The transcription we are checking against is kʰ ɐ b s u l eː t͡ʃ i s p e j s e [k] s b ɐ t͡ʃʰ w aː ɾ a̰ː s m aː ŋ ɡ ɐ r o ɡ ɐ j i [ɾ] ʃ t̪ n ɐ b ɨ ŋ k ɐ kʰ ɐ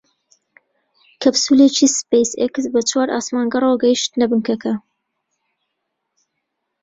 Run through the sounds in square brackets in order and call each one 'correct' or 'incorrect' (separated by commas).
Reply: correct, incorrect